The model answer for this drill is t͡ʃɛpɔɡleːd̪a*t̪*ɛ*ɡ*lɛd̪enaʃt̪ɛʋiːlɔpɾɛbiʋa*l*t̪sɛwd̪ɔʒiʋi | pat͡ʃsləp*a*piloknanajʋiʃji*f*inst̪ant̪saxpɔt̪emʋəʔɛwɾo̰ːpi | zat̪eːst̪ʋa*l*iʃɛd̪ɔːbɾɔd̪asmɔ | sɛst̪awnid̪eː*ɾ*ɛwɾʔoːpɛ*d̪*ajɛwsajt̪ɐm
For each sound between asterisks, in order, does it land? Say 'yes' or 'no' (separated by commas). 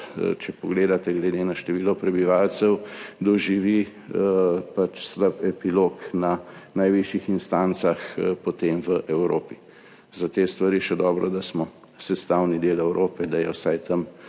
yes, yes, yes, no, no, no, no, yes